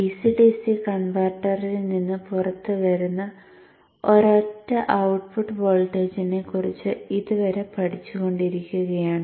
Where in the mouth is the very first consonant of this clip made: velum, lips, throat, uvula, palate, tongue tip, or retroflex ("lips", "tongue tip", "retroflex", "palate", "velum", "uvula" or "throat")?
tongue tip